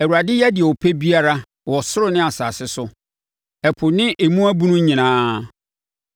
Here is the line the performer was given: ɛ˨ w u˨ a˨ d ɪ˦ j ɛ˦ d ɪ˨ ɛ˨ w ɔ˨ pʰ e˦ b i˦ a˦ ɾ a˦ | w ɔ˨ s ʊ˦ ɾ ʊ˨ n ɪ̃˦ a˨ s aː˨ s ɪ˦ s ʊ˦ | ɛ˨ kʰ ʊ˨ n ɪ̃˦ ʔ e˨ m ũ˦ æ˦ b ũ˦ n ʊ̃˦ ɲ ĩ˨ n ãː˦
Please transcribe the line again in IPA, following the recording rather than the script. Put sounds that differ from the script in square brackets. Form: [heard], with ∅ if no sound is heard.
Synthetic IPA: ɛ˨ w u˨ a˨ d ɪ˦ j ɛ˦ d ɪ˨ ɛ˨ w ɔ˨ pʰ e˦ b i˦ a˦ ɾ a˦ | w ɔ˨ s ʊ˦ ɾ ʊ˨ n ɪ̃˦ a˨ s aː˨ s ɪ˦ s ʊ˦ | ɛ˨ [pʰ] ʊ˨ n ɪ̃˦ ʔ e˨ m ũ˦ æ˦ b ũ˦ n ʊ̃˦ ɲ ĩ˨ n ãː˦